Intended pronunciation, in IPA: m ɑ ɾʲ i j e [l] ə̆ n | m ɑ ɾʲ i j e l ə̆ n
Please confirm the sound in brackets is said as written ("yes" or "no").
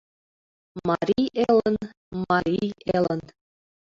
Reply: yes